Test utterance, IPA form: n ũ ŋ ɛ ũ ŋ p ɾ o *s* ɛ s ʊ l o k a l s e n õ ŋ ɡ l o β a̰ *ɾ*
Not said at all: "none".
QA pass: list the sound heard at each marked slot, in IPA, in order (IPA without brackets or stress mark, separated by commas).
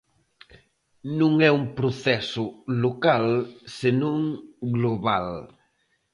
θ, l